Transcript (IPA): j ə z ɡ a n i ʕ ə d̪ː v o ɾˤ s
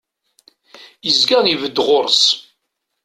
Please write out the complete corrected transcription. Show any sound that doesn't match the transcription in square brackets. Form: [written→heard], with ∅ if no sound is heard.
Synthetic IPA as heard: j ə z ɡ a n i [ʕ→v] ə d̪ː [v→ʁ] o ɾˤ s